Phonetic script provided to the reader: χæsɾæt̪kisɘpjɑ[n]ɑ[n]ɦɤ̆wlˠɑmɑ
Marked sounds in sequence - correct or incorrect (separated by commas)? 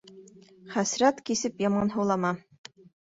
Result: incorrect, correct